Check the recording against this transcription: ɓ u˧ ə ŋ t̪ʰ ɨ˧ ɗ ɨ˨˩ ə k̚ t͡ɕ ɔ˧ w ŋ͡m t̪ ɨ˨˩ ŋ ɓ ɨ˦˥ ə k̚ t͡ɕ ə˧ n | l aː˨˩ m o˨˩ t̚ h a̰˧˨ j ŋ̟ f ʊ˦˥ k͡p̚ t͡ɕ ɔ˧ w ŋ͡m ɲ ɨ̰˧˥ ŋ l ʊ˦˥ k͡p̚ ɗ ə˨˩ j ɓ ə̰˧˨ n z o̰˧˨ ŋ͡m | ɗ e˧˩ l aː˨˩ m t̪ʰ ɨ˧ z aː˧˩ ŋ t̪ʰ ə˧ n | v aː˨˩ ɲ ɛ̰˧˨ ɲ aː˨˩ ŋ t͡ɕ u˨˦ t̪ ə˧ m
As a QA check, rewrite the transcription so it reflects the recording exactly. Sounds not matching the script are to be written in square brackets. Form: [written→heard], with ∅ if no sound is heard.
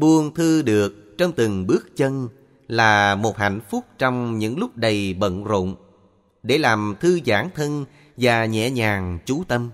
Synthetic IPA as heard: ɓ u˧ ə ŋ t̪ʰ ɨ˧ ɗ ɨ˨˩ ə k̚ t͡ɕ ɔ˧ w ŋ͡m t̪ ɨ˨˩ ŋ ɓ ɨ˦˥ ə k̚ t͡ɕ ə˧ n | l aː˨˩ m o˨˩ t̚ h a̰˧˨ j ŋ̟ f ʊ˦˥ k͡p̚ t͡ɕ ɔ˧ w ŋ͡m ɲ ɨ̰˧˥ ŋ l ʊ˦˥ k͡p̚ ɗ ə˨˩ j ɓ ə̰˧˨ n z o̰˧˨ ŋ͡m | ɗ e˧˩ l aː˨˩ m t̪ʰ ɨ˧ z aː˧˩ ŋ t̪ʰ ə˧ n | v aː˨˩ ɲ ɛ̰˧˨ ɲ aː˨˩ ŋ t͡ɕ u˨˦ t̪ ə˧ m